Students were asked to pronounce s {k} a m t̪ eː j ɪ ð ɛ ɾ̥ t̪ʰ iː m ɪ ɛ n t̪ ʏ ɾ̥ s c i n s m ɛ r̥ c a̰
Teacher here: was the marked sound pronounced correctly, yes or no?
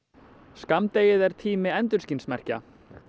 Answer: yes